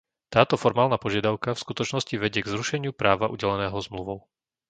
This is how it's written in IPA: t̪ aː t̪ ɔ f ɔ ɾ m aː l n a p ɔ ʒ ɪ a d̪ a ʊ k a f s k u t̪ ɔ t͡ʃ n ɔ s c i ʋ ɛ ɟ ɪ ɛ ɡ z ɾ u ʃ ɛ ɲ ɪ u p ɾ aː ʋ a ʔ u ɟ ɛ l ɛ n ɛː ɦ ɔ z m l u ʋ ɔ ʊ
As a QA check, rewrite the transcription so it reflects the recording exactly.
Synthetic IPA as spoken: t̪ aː t̪ ɔ f ɔ ɾ m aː l n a p ɔ ʒ ɪ a d̪ a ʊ k a f s k u t̪ ɔ t͡ʃ n ɔ s c i ʋ ɛ ɟ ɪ ɛ ɡ z ɾ u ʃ ɛ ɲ ɪ u p ɾ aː ʋ a ʔ u ɟ ɛ l ɛ n ɛː ɦ ɔ z m l u ʋ ɔ ʊ